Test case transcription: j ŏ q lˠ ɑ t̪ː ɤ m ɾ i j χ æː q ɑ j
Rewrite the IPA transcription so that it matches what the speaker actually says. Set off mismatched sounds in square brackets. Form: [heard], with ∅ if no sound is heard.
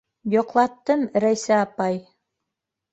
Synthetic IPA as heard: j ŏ q lˠ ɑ t̪ː ɤ m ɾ [æ] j [s] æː [p] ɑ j